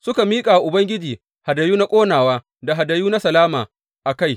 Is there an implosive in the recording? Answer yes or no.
no